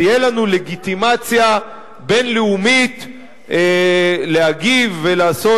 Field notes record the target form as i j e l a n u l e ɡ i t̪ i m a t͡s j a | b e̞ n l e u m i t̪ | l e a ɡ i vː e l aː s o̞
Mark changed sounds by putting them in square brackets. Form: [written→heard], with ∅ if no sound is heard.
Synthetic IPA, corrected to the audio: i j e l a n u l e ɡ i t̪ i m a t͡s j a | b e̞ n l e u m i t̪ | l e a ɡ i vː e l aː s o̞